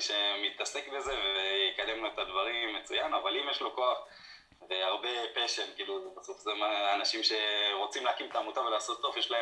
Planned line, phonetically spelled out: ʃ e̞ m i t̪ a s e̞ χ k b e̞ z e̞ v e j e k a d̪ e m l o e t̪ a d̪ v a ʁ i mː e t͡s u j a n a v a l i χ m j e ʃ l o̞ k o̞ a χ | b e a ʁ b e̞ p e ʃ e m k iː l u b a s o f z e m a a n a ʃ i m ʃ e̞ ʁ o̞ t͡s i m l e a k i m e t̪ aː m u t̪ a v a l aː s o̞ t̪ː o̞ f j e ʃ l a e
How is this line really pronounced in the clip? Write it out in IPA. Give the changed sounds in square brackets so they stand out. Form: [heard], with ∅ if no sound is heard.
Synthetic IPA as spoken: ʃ e̞ m i t̪ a s e̞ [∅] k b e̞ z e̞ v e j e k a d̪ e m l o e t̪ a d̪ v a ʁ i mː e t͡s u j a n a v a l i [∅] m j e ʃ l o̞ k o̞ a χ | [v] e a ʁ b e̞ p e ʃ e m k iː l u b a s o f z e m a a n a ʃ i m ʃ e̞ ʁ o̞ t͡s i m l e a k i m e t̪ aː m u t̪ a v [e] l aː s o̞ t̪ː o̞ f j e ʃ l a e